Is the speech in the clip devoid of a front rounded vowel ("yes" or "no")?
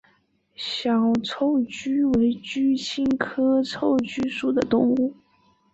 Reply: no